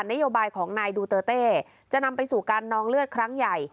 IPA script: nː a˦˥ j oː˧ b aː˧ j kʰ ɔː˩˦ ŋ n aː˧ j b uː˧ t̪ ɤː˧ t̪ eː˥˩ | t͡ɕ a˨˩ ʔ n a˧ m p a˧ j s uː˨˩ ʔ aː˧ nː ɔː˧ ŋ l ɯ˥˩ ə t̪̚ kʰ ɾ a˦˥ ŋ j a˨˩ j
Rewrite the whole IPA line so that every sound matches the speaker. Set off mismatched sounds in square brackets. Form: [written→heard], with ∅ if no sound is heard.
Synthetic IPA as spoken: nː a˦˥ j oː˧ b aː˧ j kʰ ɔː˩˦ ŋ n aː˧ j [b→d] uː˧ t̪ ɤː˧ t̪ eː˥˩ | t͡ɕ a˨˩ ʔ n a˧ m p a˧ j s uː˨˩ [ʔ→k] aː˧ nː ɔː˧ ŋ l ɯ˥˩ ə t̪̚ kʰ ɾ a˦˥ ŋ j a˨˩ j